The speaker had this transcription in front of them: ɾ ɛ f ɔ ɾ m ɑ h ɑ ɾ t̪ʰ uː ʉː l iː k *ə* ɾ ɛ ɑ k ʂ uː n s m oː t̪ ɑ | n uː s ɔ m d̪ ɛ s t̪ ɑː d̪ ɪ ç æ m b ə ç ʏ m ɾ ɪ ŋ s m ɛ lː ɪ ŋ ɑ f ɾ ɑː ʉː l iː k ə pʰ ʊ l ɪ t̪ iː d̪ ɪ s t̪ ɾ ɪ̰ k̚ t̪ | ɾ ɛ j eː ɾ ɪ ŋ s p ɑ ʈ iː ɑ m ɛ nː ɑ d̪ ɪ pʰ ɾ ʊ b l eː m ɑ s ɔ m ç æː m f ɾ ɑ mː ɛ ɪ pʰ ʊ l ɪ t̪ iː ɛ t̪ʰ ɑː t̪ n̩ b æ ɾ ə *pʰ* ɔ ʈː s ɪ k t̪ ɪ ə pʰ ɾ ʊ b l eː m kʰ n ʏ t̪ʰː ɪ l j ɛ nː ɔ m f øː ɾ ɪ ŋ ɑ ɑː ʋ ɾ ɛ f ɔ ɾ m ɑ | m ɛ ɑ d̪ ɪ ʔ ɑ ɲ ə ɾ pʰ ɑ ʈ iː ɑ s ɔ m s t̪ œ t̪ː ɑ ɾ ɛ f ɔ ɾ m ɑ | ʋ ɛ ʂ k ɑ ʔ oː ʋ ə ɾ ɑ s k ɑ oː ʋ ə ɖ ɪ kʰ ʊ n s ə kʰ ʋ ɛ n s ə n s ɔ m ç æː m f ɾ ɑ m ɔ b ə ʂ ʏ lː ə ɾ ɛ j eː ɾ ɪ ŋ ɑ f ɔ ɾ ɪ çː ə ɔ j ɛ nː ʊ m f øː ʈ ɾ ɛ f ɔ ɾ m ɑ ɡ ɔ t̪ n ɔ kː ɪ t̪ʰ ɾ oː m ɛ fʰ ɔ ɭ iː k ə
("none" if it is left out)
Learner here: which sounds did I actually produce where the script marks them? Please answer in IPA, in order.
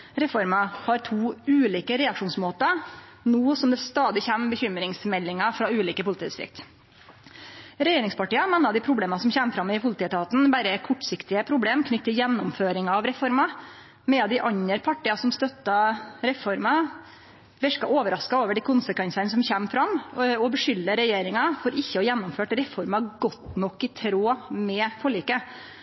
ə, kʰ

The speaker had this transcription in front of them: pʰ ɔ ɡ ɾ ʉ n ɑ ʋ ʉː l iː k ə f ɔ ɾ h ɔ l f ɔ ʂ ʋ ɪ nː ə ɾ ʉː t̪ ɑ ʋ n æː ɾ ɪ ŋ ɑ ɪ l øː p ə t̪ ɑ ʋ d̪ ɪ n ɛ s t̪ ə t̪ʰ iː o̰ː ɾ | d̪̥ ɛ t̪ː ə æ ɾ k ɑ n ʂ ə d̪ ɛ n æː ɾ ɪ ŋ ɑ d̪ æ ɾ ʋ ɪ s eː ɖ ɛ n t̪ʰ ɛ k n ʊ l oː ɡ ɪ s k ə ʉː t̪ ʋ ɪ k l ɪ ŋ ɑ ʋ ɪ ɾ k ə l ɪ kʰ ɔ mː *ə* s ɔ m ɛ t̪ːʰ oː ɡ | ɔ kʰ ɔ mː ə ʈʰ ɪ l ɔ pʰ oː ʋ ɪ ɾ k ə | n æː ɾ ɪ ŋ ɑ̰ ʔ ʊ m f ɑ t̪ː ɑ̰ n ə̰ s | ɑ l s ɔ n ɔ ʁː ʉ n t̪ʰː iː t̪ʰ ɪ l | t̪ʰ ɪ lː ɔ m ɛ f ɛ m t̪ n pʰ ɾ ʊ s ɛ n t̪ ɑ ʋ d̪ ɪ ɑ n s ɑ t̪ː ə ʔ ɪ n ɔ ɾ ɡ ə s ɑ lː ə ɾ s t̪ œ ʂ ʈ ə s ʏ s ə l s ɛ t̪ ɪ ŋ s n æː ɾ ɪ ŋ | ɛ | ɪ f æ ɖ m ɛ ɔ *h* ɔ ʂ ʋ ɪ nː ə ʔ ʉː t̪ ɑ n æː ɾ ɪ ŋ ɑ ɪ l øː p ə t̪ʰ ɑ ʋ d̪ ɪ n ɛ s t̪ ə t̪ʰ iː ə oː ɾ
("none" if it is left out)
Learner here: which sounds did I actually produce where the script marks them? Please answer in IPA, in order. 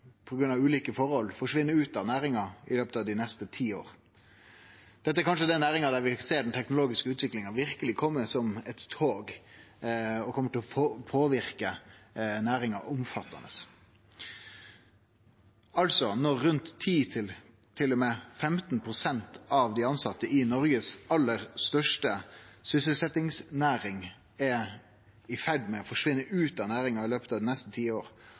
ə, f

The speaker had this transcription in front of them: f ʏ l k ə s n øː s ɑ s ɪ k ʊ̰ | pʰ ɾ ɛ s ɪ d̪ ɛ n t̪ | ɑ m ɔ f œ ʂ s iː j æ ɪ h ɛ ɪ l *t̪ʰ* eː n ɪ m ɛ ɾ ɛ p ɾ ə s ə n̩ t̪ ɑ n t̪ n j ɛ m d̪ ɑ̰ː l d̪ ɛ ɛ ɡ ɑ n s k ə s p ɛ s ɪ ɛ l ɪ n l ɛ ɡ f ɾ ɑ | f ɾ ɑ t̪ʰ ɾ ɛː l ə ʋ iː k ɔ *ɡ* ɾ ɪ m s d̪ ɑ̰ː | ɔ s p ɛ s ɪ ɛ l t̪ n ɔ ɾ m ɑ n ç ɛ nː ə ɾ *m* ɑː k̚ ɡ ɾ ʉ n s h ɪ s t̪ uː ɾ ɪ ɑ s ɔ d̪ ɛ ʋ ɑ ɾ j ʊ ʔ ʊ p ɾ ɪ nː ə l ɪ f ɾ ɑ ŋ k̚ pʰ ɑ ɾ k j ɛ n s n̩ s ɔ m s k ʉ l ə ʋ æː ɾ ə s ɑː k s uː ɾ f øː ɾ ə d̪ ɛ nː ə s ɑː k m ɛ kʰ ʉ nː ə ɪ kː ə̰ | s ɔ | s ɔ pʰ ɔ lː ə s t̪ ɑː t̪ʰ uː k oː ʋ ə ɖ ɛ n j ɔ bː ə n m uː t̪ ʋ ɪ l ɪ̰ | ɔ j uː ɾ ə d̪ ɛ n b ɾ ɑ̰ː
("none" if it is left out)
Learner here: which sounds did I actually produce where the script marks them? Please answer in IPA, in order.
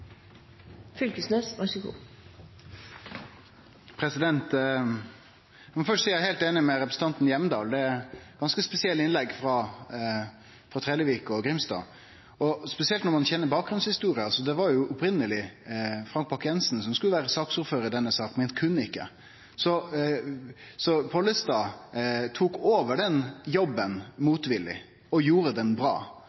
t̪, ɡ, b

